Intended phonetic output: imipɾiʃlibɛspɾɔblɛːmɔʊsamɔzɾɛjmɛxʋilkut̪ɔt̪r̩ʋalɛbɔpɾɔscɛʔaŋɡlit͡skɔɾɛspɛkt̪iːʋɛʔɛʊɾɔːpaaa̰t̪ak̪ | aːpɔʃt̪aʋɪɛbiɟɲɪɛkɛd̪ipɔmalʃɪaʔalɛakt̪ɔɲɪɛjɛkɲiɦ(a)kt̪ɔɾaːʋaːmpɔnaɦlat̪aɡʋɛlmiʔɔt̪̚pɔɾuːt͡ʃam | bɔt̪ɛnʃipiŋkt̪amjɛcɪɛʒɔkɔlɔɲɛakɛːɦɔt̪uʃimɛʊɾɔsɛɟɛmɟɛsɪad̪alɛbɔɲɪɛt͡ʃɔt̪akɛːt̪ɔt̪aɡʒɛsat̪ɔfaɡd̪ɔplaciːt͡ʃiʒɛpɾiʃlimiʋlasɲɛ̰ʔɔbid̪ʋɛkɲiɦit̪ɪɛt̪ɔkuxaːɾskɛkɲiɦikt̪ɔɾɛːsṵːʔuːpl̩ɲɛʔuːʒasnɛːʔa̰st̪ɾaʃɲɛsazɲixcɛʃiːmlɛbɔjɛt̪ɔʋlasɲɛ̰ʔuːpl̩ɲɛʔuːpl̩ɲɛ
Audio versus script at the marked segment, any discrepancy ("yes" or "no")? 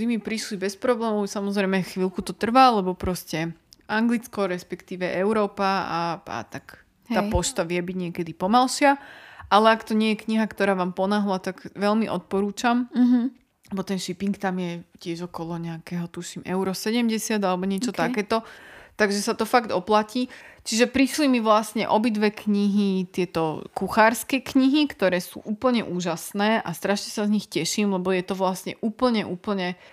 no